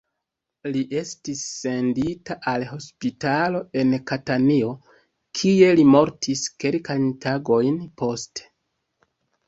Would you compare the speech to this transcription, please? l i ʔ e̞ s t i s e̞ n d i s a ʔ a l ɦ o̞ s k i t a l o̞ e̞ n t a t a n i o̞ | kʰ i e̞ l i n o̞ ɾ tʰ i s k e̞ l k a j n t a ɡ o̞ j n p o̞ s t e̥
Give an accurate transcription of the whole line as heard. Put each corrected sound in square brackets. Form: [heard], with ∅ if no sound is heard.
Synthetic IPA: l i ʔ e̞ s t i [sː] e̞ n d i [t] a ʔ a l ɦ o̞ s [p] i t a l o̞ e̞ n [k] a t a n i o̞ | kʰ i e̞ l i [m] o̞ ɾ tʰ i s k e̞ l k a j n t a ɡ o̞ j n p o̞ s t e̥